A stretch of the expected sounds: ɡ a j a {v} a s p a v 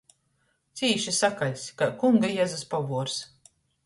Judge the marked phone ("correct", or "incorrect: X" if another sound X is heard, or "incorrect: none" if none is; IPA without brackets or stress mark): incorrect: z